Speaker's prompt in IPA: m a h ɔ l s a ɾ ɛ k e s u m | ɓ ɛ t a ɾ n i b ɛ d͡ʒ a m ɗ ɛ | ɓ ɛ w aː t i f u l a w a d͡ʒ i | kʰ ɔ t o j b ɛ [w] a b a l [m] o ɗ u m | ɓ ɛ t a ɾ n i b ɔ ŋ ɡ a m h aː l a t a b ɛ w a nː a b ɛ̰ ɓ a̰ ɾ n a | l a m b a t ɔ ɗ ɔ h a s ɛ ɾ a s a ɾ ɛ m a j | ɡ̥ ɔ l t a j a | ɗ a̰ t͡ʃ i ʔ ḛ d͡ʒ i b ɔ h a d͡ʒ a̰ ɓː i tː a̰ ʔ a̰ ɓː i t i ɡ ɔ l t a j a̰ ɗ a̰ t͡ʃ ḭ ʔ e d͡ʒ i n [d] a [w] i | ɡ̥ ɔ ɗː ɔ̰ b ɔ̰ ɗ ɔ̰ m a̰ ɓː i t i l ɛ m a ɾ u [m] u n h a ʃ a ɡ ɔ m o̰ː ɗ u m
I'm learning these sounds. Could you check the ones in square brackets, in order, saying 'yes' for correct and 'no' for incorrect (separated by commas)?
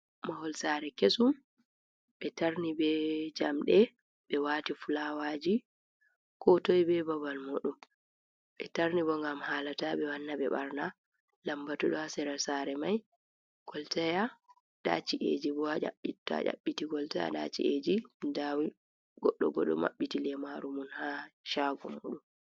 no, yes, yes, yes, yes